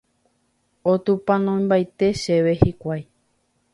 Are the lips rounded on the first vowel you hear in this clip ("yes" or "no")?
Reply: yes